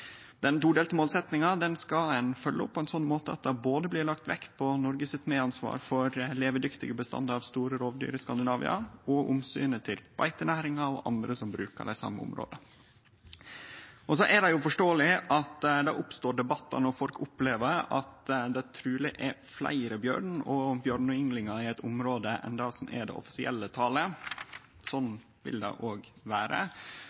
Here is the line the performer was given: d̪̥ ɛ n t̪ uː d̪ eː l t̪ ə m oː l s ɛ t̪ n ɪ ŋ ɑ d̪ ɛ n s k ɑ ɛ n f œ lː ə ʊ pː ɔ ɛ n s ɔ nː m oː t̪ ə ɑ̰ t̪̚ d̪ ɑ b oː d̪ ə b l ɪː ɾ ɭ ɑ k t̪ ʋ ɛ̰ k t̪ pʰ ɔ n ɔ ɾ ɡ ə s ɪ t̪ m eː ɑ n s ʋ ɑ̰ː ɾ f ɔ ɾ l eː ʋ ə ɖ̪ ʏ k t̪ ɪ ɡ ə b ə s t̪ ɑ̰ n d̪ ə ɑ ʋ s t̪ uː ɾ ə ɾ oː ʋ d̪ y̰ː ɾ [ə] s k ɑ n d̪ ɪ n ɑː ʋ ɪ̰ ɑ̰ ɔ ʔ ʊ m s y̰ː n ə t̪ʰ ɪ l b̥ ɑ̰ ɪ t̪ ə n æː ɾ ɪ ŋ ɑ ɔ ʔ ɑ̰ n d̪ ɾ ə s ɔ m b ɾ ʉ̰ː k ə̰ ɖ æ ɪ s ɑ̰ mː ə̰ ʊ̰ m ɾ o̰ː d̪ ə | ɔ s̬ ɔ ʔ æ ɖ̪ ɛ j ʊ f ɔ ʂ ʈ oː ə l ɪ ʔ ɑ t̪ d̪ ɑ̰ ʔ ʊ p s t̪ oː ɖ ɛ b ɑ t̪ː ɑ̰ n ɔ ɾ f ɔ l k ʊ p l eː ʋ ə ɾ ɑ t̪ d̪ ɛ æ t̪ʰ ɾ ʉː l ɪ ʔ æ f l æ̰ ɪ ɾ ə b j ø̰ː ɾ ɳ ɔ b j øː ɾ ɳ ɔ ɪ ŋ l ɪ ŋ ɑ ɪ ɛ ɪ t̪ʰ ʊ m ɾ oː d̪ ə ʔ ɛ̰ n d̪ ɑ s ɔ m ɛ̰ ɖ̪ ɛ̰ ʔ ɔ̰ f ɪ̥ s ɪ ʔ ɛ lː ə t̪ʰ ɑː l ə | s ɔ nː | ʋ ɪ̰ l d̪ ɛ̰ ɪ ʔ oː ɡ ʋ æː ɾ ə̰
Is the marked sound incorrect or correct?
correct